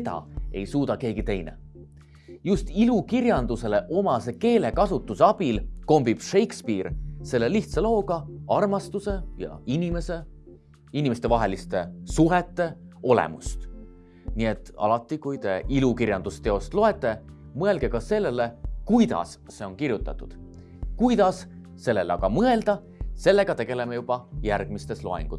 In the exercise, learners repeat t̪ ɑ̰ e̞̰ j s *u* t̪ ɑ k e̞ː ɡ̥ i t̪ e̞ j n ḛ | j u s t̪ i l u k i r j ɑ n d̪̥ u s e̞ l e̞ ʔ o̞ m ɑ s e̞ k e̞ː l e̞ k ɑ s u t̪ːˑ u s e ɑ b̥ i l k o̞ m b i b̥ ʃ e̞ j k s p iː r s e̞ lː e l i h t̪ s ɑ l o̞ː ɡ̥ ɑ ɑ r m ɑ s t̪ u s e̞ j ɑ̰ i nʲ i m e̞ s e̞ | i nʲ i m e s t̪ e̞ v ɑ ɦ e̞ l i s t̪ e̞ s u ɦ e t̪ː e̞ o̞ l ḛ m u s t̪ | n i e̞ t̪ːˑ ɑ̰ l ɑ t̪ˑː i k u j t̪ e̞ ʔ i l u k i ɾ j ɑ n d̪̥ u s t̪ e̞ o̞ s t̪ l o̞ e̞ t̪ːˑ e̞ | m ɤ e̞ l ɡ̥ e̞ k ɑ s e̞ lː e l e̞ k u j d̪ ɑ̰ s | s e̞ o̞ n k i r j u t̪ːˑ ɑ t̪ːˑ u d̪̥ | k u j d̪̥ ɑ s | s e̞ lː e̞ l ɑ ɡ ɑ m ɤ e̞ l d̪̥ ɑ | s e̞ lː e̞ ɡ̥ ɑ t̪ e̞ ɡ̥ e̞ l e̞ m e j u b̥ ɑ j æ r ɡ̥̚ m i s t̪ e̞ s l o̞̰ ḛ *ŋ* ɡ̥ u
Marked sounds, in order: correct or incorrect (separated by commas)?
incorrect, correct